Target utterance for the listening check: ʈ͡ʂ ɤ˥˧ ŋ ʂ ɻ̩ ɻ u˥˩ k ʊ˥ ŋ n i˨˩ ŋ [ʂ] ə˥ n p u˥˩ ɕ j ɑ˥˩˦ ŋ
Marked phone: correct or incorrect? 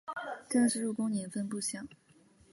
incorrect